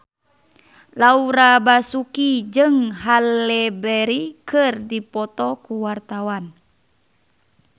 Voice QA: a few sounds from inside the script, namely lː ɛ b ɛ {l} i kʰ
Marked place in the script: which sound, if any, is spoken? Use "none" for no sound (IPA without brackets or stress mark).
ɾ